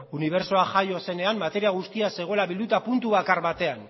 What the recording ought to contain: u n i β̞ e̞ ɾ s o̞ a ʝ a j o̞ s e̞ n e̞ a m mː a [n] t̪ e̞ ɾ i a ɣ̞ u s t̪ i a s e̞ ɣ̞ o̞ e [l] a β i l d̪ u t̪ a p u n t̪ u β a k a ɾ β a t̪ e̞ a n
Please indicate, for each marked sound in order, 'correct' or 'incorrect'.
incorrect, correct

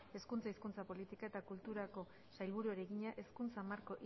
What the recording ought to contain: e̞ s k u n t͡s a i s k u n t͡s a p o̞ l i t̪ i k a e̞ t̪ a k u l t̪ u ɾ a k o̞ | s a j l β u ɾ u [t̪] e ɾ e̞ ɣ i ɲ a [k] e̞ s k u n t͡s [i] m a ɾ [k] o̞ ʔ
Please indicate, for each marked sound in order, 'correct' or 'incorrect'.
incorrect, incorrect, incorrect, correct

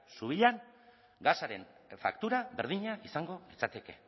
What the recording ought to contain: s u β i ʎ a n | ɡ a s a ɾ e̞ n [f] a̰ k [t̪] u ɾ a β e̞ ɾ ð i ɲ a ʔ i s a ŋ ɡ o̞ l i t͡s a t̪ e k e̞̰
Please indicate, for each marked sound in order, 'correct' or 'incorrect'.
correct, correct

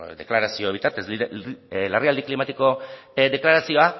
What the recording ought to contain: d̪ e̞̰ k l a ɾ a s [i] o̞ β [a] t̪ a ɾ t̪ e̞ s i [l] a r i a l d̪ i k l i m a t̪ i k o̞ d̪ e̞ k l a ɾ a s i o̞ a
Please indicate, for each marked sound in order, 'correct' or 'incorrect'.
correct, incorrect, correct

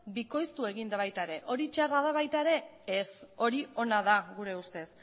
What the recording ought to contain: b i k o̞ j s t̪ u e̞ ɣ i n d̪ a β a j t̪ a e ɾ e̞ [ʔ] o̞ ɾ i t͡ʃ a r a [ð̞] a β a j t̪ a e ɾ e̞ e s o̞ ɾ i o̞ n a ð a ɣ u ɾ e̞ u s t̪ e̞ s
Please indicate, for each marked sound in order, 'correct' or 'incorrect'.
correct, correct

